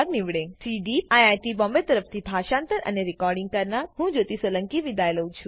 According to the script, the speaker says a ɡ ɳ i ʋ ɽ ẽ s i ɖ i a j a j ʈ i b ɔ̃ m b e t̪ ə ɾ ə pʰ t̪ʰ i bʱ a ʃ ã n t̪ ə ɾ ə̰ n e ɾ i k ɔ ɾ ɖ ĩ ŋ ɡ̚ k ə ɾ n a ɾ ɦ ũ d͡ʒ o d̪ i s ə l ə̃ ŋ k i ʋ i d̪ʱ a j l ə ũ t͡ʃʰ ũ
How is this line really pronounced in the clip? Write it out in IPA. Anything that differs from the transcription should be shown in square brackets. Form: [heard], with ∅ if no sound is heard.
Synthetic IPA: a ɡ [n] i ʋ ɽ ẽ s i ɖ i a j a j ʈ i b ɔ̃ m b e t̪ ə ɾ ə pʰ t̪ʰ i bʱ a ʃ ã n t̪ ə ɾ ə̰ n e ɾ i k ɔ ɾ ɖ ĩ ŋ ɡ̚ k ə ɾ n a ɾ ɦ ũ d͡ʒ o [t̪] i s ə l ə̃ ŋ k i ʋ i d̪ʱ a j l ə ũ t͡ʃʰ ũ